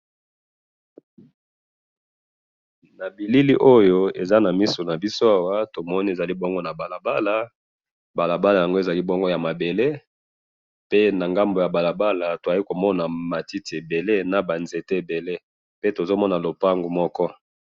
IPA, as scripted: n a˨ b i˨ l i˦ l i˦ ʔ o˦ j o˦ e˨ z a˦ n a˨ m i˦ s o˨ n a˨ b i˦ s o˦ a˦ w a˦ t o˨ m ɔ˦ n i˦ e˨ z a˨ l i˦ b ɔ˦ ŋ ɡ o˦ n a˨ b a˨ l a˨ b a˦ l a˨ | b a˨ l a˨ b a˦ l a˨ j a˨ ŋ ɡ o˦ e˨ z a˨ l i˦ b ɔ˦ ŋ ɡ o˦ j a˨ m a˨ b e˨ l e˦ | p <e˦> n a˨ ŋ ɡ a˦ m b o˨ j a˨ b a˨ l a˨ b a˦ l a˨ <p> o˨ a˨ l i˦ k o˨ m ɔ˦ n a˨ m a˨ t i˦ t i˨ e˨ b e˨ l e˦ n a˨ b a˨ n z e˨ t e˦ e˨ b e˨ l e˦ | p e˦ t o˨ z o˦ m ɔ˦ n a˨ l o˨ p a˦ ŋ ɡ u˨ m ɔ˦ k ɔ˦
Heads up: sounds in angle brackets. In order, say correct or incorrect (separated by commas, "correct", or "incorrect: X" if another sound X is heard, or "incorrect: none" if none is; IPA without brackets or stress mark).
correct, incorrect: t